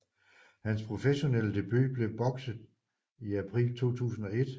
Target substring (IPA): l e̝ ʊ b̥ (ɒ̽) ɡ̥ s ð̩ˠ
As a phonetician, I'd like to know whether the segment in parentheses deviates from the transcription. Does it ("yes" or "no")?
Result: no